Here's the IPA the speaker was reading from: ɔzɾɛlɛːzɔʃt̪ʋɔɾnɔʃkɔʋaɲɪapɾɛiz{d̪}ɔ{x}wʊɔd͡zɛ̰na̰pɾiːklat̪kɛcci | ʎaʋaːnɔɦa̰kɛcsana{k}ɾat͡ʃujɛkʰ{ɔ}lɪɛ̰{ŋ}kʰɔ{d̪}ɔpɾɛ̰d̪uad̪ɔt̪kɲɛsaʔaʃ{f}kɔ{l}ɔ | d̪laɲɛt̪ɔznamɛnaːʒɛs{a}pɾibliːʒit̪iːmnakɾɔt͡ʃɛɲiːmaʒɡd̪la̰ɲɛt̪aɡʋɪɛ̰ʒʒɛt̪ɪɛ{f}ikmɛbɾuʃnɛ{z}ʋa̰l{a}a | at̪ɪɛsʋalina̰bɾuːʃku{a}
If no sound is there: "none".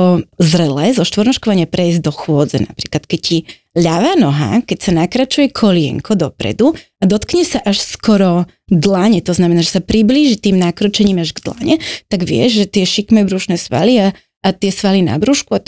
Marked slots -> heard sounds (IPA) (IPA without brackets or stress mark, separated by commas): d̪, x, k, ɔ, ŋ, d̪, s, ɾ, a, ʃ, s, i, a